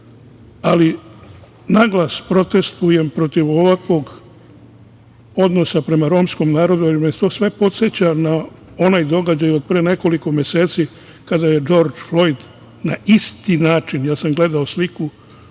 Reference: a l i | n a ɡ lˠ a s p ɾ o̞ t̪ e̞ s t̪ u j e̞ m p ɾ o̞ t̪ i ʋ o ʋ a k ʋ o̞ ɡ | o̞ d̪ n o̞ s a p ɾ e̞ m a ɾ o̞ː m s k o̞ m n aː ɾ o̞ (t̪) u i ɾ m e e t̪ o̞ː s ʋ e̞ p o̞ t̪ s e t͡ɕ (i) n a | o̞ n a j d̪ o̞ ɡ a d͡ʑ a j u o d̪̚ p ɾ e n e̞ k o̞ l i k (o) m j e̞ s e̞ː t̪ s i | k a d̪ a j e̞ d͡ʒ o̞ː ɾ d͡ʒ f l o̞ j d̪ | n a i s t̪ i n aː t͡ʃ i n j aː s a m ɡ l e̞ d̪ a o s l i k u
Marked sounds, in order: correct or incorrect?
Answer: incorrect: d̪, incorrect: a, correct

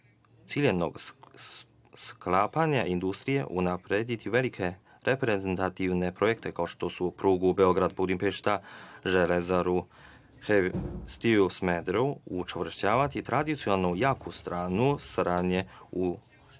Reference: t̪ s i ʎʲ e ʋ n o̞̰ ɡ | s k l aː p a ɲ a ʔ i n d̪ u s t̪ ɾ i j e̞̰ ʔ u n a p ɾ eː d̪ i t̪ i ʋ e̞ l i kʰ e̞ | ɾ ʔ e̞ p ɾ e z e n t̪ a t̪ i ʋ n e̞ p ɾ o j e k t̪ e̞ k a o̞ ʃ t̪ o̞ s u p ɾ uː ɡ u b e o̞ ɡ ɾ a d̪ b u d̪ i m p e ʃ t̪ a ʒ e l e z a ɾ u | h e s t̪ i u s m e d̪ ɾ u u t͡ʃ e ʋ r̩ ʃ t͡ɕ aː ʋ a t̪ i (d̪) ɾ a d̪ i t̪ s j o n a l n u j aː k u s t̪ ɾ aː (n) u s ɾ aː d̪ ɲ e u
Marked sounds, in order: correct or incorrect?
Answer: incorrect: t̪, correct

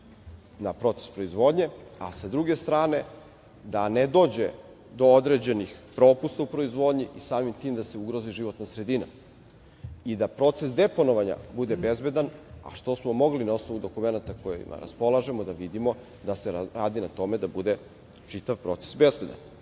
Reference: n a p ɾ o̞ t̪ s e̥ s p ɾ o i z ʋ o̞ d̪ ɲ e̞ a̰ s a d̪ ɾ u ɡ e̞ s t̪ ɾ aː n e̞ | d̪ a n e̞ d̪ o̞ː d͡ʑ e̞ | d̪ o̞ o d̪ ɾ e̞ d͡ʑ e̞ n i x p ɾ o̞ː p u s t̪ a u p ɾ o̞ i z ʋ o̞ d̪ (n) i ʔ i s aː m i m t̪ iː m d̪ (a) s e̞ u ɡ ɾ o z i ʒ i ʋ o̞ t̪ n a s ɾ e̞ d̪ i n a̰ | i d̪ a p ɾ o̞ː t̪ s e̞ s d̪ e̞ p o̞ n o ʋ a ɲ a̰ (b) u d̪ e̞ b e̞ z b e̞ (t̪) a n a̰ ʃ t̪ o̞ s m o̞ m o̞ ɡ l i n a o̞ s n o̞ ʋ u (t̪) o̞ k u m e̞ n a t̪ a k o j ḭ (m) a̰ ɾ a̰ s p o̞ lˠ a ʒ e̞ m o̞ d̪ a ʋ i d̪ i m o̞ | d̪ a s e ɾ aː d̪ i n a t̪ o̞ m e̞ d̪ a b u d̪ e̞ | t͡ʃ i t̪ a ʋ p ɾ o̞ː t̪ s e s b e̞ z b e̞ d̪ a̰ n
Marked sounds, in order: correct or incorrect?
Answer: incorrect: ɲ, correct, correct, incorrect: d̪, incorrect: d̪, correct

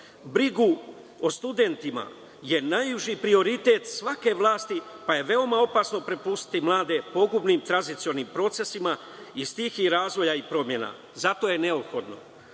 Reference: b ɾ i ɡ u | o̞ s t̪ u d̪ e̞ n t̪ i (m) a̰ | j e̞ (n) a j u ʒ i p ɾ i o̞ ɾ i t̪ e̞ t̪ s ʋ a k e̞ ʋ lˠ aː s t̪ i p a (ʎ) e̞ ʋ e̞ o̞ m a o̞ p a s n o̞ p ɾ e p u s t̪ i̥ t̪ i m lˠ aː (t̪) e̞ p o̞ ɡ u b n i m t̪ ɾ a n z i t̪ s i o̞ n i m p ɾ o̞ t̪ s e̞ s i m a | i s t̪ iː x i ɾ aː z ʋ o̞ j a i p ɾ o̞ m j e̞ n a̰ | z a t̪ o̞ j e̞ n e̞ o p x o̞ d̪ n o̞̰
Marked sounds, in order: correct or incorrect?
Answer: correct, correct, incorrect: j, incorrect: d̪

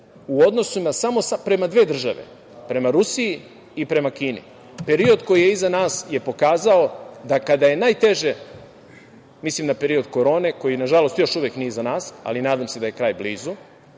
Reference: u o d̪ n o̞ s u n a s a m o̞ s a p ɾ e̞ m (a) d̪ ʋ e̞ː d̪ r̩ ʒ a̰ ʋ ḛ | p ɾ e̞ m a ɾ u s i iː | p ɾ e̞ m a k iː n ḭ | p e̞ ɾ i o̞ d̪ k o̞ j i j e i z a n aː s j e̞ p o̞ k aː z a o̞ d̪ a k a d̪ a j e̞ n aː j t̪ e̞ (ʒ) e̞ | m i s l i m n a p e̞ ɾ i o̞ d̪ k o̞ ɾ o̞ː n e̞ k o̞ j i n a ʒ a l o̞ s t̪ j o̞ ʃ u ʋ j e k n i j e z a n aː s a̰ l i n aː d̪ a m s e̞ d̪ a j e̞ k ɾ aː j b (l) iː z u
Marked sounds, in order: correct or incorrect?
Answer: correct, correct, correct

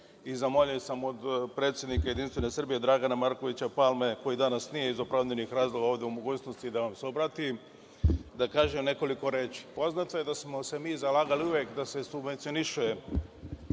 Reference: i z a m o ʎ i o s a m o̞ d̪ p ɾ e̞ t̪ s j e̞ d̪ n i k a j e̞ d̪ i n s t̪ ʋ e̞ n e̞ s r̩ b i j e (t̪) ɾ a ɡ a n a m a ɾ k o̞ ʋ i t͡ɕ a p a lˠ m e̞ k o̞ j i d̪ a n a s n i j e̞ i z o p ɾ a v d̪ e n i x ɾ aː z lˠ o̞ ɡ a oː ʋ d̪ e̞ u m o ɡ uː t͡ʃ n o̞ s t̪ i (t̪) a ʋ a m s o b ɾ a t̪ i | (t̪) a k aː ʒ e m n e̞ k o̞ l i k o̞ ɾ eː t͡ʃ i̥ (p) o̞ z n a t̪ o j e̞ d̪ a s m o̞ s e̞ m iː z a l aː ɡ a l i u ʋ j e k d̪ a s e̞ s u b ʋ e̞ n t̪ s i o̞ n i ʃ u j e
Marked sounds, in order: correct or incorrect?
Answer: incorrect: d̪, incorrect: d̪, incorrect: d̪, correct

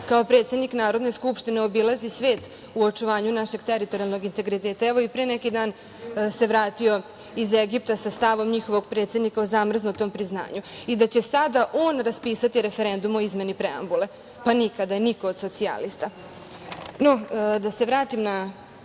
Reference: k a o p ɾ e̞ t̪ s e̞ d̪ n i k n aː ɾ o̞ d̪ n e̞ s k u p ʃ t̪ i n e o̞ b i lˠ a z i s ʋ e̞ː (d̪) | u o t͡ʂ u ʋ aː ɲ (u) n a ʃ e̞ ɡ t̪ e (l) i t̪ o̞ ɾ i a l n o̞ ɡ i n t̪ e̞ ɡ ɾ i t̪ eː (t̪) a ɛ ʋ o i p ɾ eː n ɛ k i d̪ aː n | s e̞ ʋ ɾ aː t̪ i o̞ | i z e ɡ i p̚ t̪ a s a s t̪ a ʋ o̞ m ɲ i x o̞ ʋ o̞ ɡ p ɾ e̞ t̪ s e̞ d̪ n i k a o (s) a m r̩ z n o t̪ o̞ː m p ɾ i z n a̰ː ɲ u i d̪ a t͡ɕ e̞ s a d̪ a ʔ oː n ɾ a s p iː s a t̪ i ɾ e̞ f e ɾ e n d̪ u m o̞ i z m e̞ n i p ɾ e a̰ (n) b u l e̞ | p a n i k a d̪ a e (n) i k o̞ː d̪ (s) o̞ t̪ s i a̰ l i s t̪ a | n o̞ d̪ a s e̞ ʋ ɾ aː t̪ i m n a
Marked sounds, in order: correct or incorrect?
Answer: incorrect: t̪, correct, incorrect: ɾ, correct, incorrect: z, incorrect: m, correct, correct

